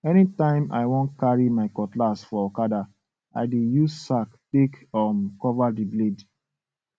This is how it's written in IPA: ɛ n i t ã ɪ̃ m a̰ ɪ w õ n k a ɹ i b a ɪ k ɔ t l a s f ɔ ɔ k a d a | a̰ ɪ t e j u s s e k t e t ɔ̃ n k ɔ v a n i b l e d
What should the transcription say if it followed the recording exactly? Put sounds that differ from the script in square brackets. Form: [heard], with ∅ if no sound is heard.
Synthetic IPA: ɛ n i t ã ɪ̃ m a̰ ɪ w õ n k a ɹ i [m] a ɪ k ɔ t l a s f ɔ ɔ k a d a | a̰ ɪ [d] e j u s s [a] k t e [k] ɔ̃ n k ɔ v a [d] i b l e d